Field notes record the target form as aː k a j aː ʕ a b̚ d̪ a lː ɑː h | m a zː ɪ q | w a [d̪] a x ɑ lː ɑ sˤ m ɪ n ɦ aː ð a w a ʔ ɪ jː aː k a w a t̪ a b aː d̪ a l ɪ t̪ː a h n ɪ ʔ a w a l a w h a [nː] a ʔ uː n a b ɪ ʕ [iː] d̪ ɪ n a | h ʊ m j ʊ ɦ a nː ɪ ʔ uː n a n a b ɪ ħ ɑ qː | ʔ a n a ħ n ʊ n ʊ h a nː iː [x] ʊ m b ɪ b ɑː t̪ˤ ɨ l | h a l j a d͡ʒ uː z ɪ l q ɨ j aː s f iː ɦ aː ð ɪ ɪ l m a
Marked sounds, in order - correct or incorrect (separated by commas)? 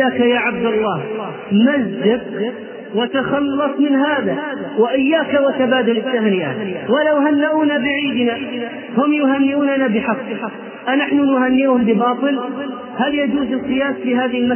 incorrect, correct, correct, incorrect